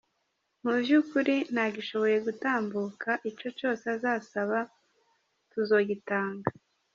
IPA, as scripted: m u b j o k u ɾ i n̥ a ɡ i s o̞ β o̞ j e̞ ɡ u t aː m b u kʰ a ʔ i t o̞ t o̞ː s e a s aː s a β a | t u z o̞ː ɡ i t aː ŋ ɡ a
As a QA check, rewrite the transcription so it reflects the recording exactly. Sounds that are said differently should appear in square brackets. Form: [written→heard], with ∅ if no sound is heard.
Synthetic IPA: m u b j [o→u] k u ɾ i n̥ a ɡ i [s→ʃ] o̞ β o̞ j e̞ ɡ u t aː m b u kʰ a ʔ i [t→t͡ʃ] o̞ [t→t͡ʃ] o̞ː s e a [s→z] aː s a β a | t u z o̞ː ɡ i t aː ŋ ɡ a